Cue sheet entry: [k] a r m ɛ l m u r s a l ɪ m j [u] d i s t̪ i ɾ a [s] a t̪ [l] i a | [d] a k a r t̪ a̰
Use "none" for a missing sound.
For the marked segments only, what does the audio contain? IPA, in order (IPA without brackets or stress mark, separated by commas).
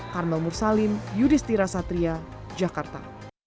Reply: k, u, s, ɾ, d͡ʒ